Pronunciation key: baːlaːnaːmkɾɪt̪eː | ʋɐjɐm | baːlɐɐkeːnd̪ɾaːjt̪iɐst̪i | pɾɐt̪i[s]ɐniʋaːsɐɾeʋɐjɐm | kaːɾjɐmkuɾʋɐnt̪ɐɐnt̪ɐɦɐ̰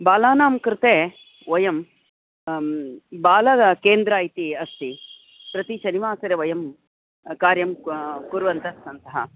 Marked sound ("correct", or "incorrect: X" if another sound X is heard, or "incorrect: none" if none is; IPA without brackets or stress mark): incorrect: ʃ